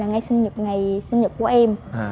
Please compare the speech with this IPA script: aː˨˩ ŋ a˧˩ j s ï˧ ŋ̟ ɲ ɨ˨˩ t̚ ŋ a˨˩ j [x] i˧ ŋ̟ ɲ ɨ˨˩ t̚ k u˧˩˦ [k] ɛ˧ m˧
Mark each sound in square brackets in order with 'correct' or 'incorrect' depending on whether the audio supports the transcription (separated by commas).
incorrect, incorrect